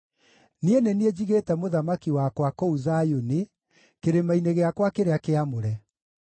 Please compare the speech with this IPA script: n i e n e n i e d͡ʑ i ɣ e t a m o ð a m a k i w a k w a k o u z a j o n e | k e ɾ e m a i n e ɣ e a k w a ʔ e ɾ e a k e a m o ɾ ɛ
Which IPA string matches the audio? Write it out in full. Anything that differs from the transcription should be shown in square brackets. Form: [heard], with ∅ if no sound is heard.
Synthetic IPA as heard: n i e n e n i e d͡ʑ i ɣ e t [ɛ] m o ð a m a k i w a k w a k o u z a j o n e | k e ɾ e m a i n e ɣ e a k w a [k] e ɾ e a k e a m o ɾ ɛ

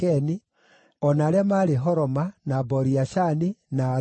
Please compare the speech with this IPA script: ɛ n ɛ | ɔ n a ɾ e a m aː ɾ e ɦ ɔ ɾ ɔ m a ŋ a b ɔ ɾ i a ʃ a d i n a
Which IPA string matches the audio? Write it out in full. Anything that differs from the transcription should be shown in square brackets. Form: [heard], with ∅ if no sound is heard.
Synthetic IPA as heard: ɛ n [i] | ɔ n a ɾ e a m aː ɾ e ɦ ɔ ɾ ɔ m a [n] a b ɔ ɾ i a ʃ a [n] i n a

